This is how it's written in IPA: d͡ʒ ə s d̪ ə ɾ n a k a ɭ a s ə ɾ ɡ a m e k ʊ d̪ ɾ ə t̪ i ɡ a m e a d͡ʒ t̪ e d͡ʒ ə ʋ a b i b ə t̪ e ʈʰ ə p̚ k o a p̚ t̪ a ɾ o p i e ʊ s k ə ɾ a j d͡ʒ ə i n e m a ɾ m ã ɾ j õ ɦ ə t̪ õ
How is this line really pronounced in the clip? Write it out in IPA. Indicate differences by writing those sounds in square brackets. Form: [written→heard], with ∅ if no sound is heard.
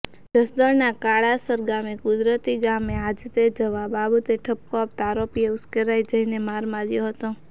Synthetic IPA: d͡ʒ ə s d̪ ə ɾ n a k a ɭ a s ə ɾ ɡ a m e k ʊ d̪ ɾ ə t̪ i ɡ a m e a d͡ʒ t̪ e d͡ʒ ə ʋ a b [i→a] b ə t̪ e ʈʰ ə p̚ k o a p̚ t̪ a ɾ o p i e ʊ s k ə ɾ a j d͡ʒ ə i n e m a ɾ m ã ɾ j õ ɦ ə t̪ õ